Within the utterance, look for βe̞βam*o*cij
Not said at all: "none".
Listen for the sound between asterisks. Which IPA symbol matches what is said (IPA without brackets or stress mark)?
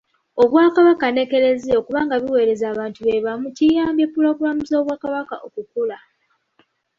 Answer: u